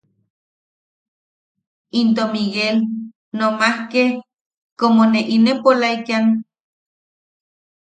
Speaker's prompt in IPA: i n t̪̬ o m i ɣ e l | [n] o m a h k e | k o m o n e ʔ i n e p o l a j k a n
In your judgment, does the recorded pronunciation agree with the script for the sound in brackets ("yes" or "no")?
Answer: yes